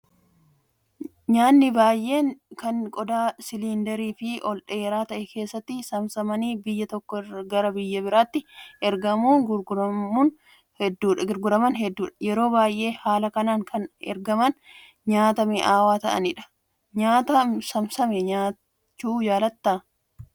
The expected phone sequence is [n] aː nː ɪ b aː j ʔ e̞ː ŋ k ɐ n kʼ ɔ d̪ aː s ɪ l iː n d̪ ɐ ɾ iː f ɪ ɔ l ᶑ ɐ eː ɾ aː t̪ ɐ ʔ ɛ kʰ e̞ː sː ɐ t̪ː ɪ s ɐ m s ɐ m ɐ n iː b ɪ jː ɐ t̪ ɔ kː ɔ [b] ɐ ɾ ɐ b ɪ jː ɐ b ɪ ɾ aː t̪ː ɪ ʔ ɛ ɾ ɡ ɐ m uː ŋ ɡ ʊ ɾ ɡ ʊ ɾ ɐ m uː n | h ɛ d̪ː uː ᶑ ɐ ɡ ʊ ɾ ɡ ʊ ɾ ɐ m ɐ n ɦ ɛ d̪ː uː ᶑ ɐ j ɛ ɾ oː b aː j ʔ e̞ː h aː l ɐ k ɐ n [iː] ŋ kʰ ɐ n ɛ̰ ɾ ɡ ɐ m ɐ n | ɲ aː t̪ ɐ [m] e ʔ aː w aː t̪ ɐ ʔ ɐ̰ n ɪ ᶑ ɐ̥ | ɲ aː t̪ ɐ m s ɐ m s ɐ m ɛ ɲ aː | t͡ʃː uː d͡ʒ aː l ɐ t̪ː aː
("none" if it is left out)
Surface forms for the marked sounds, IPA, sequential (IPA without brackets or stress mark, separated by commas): ɲ, ɡ, aː, m